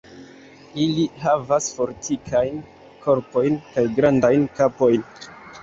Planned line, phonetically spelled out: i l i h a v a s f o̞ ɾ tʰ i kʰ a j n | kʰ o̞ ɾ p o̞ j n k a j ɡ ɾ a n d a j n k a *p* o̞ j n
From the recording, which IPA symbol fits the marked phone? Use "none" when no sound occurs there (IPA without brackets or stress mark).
p